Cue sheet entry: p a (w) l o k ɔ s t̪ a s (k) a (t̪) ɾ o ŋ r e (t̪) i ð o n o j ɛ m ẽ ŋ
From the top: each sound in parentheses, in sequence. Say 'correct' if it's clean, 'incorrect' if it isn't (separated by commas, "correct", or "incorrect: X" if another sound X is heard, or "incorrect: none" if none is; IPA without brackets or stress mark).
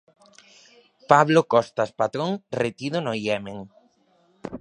incorrect: β, incorrect: p, correct, correct